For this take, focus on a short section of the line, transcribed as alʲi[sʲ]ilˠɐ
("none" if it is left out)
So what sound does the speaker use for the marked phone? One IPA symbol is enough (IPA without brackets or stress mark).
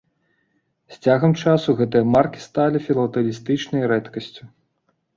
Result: fʲ